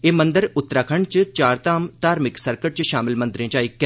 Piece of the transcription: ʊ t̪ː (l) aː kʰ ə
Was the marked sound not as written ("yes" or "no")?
yes